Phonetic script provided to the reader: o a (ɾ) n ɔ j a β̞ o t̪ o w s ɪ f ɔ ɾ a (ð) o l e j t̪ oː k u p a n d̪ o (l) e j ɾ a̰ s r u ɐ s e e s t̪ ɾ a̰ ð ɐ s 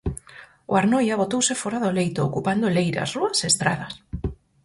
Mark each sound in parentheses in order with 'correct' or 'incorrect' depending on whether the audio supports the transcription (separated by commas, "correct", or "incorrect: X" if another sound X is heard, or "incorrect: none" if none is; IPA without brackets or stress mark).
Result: correct, correct, correct